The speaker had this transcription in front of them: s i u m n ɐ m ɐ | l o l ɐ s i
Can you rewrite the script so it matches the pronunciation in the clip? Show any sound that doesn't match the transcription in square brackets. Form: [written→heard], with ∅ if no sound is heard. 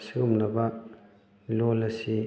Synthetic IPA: s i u m n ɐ [m→b] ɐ | l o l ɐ s i